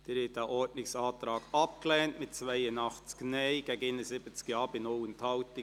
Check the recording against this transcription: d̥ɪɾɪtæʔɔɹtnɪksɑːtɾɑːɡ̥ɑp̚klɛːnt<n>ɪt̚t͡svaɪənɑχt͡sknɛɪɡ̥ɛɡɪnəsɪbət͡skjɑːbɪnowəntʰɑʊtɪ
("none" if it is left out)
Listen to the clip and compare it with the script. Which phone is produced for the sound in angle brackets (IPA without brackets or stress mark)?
m